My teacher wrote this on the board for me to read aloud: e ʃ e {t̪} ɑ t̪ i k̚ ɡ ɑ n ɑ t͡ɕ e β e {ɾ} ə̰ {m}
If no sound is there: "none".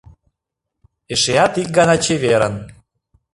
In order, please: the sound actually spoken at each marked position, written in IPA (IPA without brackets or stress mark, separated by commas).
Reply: none, ɾ, n